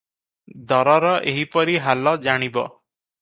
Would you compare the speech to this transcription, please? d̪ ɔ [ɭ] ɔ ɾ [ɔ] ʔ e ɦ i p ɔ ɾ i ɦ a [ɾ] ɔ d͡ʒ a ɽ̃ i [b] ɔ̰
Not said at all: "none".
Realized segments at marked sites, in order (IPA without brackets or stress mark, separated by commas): ɾ, ɔ, l, b